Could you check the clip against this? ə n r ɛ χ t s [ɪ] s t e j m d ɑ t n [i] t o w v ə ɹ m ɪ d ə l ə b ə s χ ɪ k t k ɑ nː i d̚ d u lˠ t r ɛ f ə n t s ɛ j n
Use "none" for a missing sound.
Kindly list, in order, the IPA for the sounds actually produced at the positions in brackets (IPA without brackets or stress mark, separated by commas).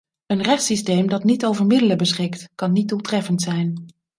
i, i